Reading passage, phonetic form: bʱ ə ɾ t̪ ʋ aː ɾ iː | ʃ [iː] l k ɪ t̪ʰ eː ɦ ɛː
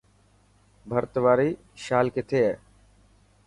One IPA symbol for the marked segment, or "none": aː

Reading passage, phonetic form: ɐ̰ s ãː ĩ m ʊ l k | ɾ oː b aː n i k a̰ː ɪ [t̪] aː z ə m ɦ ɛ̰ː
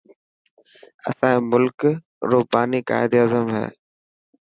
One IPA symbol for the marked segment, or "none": d̪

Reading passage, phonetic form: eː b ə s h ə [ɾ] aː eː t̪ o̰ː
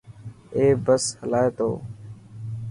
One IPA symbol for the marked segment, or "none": l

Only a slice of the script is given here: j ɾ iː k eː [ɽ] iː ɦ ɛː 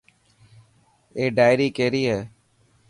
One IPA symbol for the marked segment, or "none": ɾ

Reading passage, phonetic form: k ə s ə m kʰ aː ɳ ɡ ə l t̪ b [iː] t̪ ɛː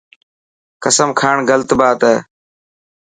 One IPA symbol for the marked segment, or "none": aː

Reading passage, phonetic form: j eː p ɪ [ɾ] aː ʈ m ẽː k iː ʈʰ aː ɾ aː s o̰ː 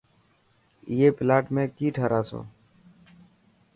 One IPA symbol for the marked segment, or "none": l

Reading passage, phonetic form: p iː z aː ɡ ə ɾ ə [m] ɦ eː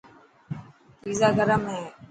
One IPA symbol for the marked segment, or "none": m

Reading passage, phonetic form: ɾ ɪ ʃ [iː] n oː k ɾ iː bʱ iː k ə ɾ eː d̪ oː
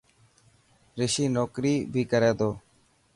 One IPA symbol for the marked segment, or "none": iː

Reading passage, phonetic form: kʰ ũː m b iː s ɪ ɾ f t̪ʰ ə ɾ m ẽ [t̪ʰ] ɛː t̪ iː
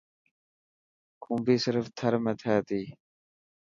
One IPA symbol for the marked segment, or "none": t̪ʰ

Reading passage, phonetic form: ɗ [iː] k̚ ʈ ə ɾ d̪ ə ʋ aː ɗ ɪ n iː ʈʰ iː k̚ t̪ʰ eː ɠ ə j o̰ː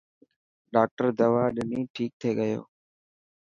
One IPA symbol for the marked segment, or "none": aː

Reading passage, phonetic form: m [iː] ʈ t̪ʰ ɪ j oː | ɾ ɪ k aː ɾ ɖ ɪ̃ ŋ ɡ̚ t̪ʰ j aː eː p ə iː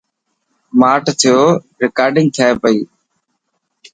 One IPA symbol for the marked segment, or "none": aː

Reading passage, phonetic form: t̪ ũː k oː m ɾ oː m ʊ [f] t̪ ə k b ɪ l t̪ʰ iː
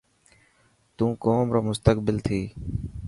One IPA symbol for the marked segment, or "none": s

